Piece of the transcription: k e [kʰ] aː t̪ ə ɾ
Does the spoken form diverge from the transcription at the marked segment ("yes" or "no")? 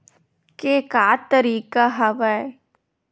yes